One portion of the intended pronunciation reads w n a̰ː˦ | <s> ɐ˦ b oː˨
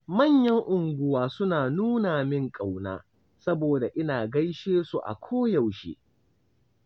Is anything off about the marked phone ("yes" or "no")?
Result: no